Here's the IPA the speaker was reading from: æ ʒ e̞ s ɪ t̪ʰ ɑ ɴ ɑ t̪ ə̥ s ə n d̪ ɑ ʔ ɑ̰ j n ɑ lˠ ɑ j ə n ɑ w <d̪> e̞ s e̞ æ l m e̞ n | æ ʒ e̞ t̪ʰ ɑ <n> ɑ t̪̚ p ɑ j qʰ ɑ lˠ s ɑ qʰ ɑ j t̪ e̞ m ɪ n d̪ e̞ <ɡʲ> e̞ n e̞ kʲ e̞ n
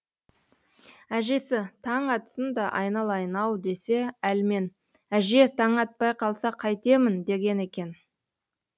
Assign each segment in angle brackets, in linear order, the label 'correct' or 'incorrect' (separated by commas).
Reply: correct, incorrect, correct